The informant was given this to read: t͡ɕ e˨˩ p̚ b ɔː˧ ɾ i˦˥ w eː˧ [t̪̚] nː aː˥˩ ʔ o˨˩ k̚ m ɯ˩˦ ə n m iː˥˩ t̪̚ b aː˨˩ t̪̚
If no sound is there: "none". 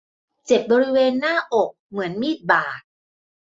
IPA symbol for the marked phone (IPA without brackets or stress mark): none